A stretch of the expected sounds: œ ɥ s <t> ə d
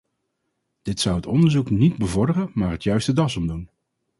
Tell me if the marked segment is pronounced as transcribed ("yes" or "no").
yes